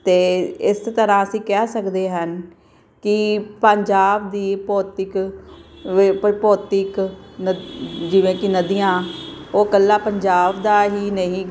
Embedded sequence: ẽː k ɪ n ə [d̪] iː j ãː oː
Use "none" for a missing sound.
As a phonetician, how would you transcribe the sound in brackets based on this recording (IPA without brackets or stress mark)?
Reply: d̪